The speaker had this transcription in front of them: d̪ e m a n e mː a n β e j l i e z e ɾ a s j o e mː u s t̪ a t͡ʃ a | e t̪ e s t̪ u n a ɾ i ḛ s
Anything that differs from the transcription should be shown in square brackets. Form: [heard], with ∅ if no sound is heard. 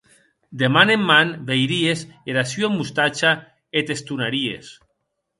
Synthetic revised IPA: d̪ e m a n e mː a n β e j [ɾ] i e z e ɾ a s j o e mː u s t̪ a t͡ʃ a | e t̪ e s t̪ u n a ɾ i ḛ s